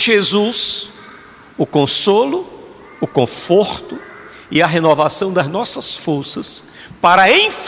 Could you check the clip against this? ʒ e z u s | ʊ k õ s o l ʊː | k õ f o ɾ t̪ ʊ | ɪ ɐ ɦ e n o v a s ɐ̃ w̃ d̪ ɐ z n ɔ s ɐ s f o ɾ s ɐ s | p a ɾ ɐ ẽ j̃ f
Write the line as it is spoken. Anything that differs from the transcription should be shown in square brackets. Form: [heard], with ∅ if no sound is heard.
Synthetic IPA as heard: ʒ e z u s | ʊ k õ s o l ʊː | k õ f o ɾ t̪ ʊ | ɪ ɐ ɦ e n o v a s ɐ̃ w̃ d̪ ɐ z n ɔ s ɐ s f o ɾ s ɐ s | p a ɾ ɐ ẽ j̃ f